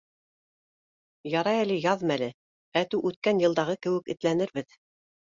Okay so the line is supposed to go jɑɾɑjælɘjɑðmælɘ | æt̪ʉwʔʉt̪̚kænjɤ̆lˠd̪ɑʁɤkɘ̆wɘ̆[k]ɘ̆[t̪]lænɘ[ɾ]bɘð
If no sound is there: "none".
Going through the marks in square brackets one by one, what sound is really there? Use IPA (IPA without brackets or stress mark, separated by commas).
k, t̪, ɾ